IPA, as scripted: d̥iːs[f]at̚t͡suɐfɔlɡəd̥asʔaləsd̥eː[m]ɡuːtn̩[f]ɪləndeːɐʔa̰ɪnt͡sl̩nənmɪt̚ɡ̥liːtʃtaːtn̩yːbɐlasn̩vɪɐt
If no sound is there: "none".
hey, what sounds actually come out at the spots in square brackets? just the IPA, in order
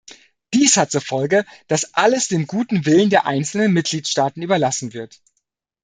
h, m, v

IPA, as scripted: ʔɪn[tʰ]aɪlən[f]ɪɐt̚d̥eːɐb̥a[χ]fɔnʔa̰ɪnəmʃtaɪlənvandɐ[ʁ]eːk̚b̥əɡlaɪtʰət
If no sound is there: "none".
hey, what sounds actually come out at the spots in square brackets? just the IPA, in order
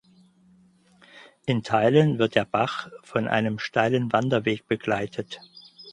tʰ, v, χ, v

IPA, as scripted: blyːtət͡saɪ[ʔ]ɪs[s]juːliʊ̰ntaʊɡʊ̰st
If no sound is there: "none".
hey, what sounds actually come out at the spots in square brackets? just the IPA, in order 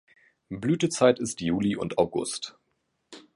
t, t

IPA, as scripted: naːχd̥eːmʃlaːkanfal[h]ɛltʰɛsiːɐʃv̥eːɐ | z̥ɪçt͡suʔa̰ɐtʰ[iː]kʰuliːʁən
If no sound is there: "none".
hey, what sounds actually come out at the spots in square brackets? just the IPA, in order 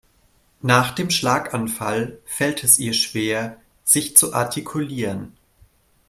f, i

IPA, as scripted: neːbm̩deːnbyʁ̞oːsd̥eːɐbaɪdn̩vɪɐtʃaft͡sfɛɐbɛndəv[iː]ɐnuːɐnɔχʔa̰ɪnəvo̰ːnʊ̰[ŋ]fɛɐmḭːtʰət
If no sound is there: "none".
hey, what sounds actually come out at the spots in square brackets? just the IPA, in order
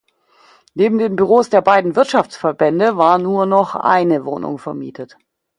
aː, ŋ

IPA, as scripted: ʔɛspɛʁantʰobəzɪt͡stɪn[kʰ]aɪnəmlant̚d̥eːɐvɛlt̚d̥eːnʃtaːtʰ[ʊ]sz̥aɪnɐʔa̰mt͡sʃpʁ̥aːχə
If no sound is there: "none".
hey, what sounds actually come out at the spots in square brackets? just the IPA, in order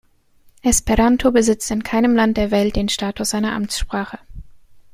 kʰ, ʊ

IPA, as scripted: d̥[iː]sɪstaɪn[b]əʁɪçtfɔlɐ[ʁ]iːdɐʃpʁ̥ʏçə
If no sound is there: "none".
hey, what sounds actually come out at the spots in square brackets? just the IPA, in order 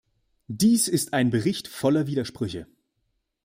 iː, b, v

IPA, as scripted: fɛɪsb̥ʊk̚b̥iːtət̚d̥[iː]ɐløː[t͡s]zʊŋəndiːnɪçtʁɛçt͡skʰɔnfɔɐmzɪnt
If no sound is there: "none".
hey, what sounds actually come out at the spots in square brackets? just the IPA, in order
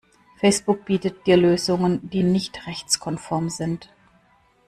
iː, none

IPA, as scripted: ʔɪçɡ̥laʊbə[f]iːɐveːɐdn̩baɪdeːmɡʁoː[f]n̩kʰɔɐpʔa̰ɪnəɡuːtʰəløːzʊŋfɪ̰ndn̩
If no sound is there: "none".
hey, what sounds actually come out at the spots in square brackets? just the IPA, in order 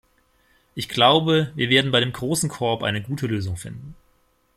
v, s

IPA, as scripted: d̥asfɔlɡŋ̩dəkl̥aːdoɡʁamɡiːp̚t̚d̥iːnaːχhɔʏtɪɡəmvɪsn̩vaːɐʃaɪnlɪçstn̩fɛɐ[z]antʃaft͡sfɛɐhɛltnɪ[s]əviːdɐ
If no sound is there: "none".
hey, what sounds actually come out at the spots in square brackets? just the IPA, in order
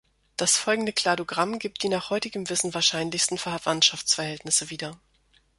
v, s

